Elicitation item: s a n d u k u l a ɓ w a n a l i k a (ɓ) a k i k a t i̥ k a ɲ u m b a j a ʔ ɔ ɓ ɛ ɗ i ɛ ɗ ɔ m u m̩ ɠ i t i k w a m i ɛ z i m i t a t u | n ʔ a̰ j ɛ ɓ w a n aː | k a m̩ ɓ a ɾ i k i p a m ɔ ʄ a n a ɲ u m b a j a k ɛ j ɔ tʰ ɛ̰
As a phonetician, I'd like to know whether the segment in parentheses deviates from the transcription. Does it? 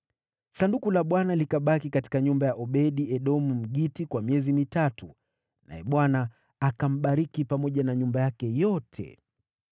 no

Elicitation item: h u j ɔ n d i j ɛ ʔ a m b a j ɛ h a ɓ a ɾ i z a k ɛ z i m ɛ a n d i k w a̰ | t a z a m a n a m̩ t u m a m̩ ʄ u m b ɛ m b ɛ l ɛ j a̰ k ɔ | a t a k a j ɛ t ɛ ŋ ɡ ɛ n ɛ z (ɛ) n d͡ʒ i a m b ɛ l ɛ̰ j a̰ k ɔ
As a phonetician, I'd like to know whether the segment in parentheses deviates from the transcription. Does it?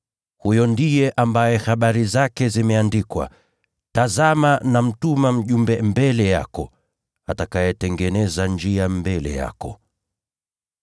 yes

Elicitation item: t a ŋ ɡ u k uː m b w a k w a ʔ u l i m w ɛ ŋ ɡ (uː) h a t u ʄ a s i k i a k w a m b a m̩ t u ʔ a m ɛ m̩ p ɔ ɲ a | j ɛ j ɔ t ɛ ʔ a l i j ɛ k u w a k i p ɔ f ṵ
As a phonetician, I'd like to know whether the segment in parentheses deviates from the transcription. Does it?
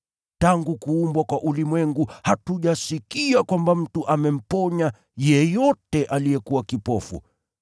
yes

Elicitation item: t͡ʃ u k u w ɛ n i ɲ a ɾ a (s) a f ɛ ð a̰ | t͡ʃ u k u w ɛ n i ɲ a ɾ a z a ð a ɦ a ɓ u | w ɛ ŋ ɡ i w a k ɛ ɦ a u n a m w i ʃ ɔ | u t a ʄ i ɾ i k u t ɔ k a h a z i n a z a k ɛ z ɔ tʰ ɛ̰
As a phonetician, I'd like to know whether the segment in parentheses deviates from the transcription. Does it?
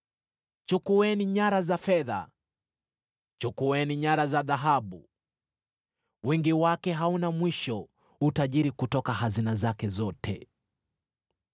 yes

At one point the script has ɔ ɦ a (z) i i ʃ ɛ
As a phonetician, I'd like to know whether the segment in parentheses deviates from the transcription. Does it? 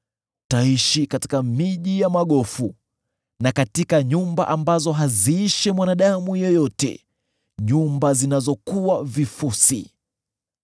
no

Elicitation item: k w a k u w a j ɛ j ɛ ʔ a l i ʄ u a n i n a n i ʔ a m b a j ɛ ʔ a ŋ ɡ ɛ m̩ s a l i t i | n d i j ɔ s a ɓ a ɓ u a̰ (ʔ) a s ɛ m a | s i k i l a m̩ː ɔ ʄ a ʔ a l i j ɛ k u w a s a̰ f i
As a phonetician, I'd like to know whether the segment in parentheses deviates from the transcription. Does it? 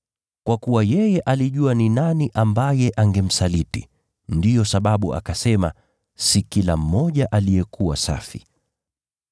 yes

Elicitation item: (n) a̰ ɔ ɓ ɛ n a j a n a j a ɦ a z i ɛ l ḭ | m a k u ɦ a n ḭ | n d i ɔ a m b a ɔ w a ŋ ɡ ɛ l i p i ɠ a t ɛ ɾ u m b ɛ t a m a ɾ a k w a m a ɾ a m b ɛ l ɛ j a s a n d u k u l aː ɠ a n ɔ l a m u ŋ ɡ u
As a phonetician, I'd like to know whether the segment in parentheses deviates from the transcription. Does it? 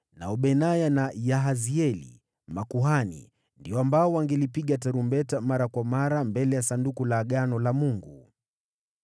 no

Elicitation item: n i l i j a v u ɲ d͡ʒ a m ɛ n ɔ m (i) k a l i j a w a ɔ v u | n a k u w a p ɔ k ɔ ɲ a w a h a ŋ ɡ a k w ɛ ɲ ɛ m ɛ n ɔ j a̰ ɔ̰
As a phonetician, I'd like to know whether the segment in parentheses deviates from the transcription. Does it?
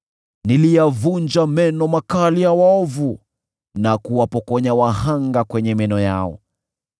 yes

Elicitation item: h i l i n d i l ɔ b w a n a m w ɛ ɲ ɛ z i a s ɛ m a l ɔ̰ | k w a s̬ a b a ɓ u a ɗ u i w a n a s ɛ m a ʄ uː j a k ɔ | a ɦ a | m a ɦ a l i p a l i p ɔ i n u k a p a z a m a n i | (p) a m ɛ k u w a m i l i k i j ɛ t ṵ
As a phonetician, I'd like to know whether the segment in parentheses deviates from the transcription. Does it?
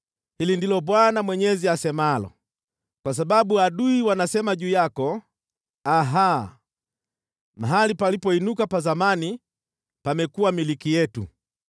no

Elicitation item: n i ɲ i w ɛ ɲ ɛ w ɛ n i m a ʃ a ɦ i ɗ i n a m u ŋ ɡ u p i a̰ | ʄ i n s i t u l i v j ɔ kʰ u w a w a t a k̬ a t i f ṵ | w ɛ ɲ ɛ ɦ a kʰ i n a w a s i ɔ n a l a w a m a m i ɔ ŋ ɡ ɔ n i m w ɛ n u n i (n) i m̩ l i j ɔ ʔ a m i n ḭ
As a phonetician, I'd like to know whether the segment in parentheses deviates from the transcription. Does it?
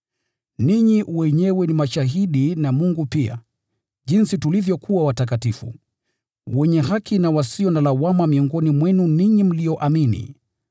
yes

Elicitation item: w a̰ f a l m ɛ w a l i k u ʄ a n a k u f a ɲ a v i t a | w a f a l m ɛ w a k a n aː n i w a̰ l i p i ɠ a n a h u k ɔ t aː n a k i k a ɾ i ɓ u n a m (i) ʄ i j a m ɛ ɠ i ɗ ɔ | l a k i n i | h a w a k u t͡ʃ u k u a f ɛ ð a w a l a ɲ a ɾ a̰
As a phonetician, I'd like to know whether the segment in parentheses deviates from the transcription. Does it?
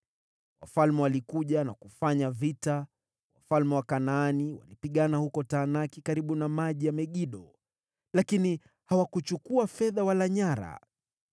yes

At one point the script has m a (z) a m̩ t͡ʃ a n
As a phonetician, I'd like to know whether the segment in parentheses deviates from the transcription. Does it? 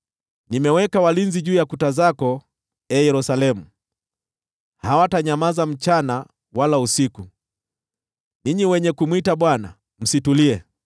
no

